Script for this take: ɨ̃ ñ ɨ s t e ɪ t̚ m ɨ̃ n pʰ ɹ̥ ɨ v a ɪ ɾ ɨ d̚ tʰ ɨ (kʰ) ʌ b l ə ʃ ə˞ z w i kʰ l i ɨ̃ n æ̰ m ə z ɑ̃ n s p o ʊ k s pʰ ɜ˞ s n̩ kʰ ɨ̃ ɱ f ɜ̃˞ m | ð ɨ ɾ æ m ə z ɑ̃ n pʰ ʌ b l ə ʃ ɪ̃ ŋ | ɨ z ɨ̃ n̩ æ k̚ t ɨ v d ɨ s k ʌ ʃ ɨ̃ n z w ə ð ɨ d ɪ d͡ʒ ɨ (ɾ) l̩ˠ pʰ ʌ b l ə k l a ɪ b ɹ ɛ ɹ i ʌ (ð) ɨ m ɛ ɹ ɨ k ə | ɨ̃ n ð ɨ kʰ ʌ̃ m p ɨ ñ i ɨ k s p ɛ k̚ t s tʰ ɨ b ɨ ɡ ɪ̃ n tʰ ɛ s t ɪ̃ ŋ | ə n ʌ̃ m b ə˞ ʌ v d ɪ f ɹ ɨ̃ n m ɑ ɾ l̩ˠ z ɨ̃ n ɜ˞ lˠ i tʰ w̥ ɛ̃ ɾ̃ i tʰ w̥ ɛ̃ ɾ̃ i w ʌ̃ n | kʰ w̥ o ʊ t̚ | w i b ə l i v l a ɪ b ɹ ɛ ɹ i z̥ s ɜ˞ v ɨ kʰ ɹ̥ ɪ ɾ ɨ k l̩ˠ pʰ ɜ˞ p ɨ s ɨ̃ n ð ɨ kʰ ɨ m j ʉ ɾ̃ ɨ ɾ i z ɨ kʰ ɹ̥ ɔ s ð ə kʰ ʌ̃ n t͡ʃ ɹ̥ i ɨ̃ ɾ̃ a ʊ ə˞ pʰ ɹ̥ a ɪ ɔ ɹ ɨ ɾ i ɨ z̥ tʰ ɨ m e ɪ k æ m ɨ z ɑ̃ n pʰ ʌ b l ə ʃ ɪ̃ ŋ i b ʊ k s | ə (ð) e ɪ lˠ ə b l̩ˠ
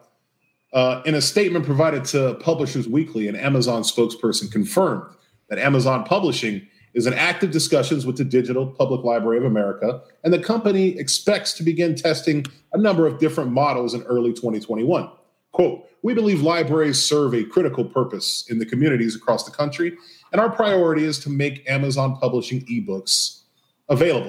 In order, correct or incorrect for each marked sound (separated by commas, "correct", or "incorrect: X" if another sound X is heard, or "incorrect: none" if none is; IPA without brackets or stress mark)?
incorrect: pʰ, correct, incorrect: v, incorrect: v